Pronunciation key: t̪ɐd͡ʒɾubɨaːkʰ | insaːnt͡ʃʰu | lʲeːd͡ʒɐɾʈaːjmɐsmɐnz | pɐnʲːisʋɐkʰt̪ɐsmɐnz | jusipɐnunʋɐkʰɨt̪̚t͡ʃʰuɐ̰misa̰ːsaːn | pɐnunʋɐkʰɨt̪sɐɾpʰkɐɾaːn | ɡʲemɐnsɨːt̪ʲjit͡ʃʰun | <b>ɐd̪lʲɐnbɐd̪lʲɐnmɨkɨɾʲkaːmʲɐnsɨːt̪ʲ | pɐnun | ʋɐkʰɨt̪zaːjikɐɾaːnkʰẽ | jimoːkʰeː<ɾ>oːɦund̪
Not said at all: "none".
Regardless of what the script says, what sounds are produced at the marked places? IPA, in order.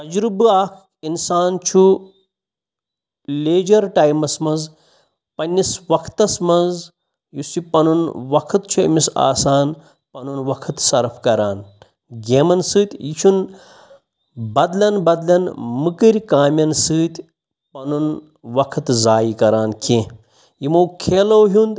b, l

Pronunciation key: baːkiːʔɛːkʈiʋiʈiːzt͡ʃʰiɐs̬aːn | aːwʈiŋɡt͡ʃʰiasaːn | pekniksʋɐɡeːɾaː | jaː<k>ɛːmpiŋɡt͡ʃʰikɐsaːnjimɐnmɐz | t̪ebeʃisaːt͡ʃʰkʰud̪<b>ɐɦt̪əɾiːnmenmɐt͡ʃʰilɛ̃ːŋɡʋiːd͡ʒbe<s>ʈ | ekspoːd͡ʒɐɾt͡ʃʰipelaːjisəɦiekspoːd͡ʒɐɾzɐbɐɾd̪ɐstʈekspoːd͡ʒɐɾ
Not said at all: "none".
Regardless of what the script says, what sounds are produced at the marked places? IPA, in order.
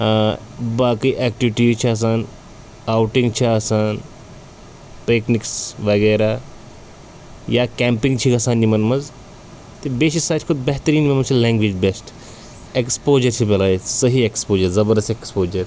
k, b, s

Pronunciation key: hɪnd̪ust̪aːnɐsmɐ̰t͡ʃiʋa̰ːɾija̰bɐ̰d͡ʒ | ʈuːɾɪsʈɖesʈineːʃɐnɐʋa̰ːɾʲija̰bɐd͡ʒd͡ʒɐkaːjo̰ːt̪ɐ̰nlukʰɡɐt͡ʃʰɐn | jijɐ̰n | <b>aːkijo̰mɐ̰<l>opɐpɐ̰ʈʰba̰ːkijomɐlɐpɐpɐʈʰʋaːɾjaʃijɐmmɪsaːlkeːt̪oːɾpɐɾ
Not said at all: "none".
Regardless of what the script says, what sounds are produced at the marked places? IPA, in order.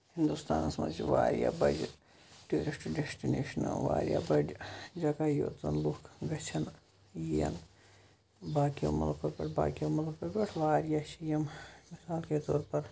b, l

